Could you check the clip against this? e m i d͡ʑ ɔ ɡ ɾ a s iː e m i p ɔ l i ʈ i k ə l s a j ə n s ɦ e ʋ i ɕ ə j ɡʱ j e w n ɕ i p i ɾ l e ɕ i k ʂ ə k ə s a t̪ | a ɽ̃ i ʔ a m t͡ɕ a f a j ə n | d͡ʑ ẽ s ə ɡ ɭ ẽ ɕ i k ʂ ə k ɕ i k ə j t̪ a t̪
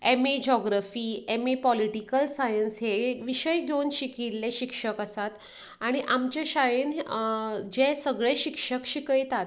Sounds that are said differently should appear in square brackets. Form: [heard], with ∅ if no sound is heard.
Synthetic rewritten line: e m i d͡ʑ ɔ ɡ ɾ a [f] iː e m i p ɔ l i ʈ i k ə l s a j ə n s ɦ e ʋ i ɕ ə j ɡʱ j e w n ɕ i [k] i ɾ l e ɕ i k ʂ ə k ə s a t̪ | a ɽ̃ i ʔ a m t͡ɕ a [ɕ] a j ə n | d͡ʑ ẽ s ə ɡ ɭ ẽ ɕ i k ʂ ə k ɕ i k ə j t̪ a t̪